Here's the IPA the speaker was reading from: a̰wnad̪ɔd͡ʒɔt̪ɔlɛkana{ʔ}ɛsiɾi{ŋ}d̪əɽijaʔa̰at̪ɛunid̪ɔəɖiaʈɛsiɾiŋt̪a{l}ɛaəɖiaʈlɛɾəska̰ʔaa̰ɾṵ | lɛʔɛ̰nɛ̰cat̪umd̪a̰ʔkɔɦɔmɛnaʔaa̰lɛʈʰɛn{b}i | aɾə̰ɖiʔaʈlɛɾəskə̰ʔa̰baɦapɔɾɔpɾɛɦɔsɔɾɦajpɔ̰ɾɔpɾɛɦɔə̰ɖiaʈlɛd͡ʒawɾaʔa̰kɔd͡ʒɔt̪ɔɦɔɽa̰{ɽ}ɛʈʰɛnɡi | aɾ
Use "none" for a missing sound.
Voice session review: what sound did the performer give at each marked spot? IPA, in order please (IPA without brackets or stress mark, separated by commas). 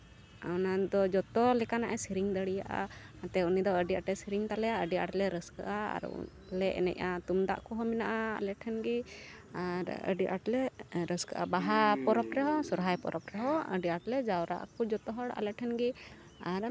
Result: ʔ, ŋ, l, ɡ, l